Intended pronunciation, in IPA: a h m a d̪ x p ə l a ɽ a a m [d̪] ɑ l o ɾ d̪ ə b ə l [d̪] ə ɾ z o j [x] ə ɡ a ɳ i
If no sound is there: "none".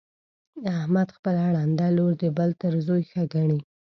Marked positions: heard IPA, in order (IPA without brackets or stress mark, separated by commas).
d̪, t̪, x